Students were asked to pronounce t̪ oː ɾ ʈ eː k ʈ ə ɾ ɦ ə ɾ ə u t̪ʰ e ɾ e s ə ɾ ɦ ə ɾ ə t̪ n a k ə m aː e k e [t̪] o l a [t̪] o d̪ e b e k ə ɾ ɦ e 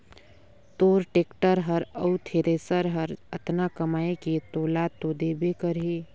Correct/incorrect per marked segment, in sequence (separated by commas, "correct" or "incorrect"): correct, correct